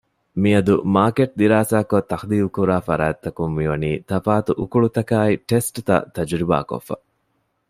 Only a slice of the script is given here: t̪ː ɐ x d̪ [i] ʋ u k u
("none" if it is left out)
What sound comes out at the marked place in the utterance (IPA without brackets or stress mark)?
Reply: iː